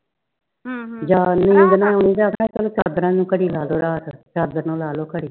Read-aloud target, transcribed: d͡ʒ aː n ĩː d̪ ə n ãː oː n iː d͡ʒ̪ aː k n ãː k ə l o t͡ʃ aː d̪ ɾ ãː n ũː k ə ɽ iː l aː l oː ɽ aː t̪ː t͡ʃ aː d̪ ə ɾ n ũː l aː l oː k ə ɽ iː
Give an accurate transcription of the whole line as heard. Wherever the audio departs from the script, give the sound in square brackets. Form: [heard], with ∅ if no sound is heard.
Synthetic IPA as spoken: d͡ʒ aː n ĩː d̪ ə n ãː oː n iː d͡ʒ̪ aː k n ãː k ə l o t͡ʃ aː d̪ ɾ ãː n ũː k ə ɽ iː l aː l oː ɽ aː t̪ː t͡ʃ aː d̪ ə ɾ n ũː l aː l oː k ə ɽ iː

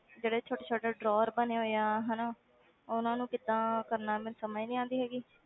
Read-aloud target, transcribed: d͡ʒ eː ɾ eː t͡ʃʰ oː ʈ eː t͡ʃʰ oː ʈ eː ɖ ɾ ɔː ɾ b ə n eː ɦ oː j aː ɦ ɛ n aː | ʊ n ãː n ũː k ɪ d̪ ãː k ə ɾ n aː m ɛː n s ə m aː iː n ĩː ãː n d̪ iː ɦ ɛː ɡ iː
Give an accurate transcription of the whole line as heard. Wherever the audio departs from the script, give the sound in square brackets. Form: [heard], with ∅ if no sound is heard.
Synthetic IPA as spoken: d͡ʒ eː [ɽ] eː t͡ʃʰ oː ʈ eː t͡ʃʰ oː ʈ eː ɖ ɾ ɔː ɾ b ə n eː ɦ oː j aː ɦ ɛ n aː | ʊ n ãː n ũː k ɪ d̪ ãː k ə ɾ n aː m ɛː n s ə m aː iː n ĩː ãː n d̪ iː ɦ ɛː ɡ iː

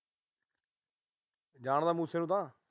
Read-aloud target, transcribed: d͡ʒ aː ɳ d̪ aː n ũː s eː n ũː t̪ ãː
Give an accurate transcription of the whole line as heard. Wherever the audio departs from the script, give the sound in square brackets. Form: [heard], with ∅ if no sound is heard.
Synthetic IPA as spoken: d͡ʒ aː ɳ d̪ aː [m] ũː s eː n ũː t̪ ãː

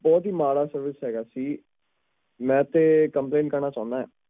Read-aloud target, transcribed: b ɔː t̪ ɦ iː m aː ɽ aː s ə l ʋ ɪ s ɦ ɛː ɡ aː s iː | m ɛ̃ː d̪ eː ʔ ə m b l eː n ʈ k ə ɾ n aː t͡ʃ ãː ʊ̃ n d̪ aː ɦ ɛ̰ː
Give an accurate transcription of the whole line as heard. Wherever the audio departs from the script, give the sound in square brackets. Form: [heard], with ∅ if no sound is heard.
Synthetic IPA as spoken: b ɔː t̪ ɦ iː m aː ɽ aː s ə [ɾ] ʋ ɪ s ɦ ɛː ɡ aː s iː | m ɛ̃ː [t̪] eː [k] ə m [p] l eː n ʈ k ə ɾ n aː t͡ʃ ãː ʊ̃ n d̪ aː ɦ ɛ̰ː

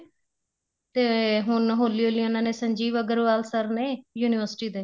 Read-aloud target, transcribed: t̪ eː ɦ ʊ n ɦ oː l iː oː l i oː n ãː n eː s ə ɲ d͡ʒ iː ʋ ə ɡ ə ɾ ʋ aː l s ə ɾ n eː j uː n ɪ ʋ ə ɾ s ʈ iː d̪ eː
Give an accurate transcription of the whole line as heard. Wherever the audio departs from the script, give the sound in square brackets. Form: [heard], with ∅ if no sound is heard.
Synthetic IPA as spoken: t̪ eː ɦ ʊ n ɦ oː l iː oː l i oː n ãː n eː s ə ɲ d͡ʒ iː ʋ ə ɡ ə ɾ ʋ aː l s ə ɾ n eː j uː n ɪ ʋ ə ɾ s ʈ iː d̪ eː

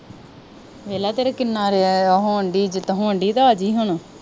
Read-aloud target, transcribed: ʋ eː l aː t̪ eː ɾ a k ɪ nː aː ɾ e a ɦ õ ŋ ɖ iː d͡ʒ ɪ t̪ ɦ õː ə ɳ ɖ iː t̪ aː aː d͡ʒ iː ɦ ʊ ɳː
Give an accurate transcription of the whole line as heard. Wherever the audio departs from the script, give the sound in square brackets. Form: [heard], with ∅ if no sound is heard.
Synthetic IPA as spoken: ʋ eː l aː t̪ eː ɾ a k ɪ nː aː ɾ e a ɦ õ [ɳ] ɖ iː d͡ʒ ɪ t̪ ɦ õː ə ɳ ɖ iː t̪ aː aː d͡ʒ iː ɦ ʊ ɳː

